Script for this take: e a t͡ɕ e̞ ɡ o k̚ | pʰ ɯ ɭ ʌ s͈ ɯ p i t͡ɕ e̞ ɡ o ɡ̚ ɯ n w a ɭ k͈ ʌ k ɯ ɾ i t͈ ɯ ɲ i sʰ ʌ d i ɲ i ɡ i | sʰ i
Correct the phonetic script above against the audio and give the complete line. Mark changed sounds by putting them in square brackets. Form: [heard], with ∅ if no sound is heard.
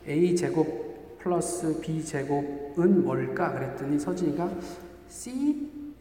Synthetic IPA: e [i] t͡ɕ e̞ ɡ o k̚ | pʰ ɯ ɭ ʌ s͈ ɯ p i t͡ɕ e̞ ɡ o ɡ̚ ɯ n w [ʌ] ɭ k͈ [a] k ɯ ɾ [e] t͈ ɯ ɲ i sʰ ʌ [d͡ʑ] i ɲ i ɡ [a] | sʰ i